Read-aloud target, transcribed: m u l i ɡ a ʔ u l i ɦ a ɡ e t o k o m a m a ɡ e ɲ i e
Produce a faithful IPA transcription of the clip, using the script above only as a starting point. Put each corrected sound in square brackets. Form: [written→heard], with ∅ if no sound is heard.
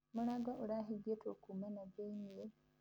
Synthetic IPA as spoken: m u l [i→a] ɡ a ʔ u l [i→a] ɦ [a→i] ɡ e t o k [o→u] m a [m→n] a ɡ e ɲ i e

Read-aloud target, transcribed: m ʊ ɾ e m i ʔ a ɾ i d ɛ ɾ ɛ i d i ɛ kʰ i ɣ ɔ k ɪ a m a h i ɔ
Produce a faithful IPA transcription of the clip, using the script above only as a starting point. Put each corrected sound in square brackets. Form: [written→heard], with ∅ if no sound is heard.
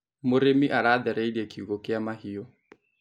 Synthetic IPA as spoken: m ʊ ɾ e m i ʔ a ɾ [i→a] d ɛ ɾ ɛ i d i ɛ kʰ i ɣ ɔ k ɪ a m a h i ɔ

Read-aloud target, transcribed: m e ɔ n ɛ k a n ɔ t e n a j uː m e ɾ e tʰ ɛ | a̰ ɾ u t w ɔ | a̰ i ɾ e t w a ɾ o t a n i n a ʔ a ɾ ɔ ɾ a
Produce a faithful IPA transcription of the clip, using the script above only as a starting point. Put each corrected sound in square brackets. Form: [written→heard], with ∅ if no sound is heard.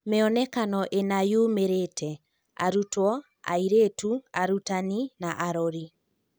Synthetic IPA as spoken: m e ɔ n ɛ k a n ɔ [t→ʔ] e n a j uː m e ɾ e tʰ ɛ | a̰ ɾ u t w ɔ | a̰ i ɾ e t [w→u] a ɾ [o→u] t a n i n a ʔ a ɾ ɔ ɾ [a→i]

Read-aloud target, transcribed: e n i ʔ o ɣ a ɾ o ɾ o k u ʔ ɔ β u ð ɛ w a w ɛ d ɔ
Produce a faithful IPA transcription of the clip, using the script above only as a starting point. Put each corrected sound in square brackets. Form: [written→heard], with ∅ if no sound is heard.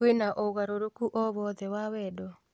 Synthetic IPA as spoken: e n [i→a] ʔ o ɣ a ɾ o ɾ o k u ʔ ɔ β [u→ɔ] ð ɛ w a w ɛ d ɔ

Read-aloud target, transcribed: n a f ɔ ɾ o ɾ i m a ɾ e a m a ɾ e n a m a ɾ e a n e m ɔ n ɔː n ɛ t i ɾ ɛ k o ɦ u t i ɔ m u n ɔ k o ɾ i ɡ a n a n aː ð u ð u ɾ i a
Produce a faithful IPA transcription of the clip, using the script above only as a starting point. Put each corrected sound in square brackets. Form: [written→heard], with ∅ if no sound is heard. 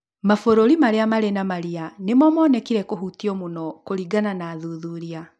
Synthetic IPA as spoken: [n→m] a f [ɔ→o] ɾ o ɾ i m a ɾ e a m a ɾ e n a m a ɾ [e→i] a n e m ɔ [n→m] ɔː n ɛ [t→k] i ɾ ɛ k o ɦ u t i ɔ m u n ɔ k o ɾ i ɡ a n a n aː ð u ð u ɾ i a

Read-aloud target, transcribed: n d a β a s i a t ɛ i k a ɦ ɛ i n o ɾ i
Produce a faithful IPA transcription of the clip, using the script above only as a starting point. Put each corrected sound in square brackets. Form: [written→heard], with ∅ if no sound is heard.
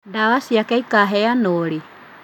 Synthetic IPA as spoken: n d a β a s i a [t→k] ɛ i k a ɦ ɛ [i→a] n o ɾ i

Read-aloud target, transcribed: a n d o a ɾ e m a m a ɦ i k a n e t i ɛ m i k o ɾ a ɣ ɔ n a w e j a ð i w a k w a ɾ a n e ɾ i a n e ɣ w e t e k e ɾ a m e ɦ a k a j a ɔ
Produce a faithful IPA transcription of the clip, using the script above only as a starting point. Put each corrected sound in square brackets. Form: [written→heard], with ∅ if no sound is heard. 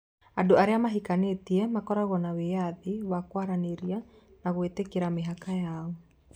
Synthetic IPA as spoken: a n d o a ɾ e [m→∅] a m a ɦ i k a n e t i ɛ m [i→a] k [o→ɔ] ɾ a ɣ ɔ n a w e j a ð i w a k w a ɾ a n e ɾ i a n [e→a] ɣ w e t e k e ɾ a m e ɦ a k a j a ɔ

